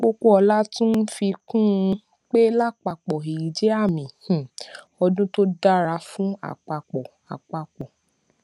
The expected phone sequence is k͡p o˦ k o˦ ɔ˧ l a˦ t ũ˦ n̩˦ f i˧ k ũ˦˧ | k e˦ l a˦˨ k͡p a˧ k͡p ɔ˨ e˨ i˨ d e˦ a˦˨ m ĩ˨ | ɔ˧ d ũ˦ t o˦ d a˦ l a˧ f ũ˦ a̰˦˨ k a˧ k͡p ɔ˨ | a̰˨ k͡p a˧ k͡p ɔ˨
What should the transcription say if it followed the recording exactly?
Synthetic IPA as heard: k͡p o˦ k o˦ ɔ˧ l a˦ t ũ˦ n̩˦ f i˧ k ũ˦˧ | k͡p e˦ l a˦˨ k͡p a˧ k͡p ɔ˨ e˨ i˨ d͡ʒ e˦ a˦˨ m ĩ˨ | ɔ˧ d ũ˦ t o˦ d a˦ ɾ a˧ f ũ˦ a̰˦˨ k͡p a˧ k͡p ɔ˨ | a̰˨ k͡p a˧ k͡p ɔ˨